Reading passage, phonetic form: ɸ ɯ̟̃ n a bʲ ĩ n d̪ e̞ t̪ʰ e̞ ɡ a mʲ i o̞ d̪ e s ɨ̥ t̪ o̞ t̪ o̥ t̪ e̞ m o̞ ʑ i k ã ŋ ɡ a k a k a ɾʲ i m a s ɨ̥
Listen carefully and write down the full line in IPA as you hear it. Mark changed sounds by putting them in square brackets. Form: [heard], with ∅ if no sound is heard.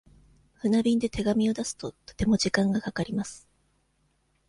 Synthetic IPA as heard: ɸ [ɯ̟] n a bʲ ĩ n d̪ e̞ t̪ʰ e̞ ɡ a mʲ i o̞ d̪ [a] s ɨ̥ t̪ o̞ t̪ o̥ t̪ e̞ m o̞ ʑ i k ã ŋ ɡ a k a k a ɾʲ i m a s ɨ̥